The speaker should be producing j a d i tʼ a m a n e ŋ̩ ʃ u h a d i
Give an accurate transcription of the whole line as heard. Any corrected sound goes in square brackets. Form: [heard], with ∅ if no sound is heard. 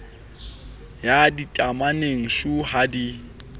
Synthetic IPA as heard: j a d i tʼ a m a n e ŋ̩ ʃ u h a d i

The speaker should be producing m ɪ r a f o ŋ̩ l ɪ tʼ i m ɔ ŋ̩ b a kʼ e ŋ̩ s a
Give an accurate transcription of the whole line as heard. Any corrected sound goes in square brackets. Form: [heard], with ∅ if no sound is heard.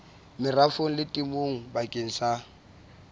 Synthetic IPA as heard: m ɪ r a f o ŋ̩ l ɪ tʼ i m [o] ŋ̩ b a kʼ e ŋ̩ s a

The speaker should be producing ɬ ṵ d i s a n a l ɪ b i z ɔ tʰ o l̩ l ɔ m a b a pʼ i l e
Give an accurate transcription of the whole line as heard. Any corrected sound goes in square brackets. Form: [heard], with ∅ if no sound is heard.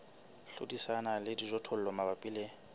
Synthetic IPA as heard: ɬ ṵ d i s a n a l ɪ [d] i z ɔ tʰ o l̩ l ɔ m a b a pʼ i l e

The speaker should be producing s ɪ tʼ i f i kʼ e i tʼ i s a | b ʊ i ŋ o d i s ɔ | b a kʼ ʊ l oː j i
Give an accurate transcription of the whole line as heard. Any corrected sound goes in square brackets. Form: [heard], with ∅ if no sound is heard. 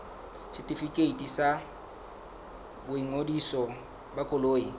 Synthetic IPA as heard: s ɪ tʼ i f i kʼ e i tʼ i s a | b ʊ i ŋ o d i s ɔ | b a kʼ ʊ l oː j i

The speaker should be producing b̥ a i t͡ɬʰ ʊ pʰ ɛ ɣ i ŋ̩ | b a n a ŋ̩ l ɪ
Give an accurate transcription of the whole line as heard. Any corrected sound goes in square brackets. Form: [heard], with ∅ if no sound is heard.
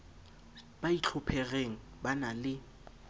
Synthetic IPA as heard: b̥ a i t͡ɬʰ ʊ pʰ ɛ ɣ [e] ŋ̩ | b a n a [∅] l ɪ

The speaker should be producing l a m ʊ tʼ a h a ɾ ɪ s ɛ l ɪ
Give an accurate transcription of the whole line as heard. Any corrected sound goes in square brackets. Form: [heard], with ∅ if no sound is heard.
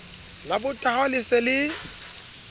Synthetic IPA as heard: l a [b] ʊ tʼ a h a [l] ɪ s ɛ l ɪ

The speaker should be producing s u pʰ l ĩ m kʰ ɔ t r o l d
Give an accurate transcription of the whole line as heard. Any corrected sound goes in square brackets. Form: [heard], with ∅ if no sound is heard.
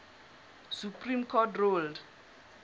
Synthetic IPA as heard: s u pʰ [r] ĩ m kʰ ɔ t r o l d

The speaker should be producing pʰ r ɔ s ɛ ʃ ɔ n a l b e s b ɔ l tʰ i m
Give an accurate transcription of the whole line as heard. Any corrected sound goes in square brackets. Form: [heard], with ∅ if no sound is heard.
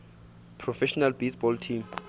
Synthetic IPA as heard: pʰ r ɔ [f] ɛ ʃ ɔ n a l b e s b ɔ l tʰ i m

